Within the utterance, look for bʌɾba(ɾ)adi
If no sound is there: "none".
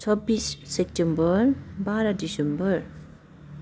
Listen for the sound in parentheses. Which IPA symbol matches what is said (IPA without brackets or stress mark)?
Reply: ɾ